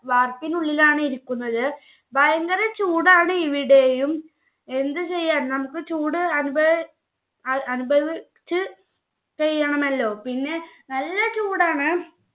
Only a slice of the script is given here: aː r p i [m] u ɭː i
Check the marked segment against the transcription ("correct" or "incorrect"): incorrect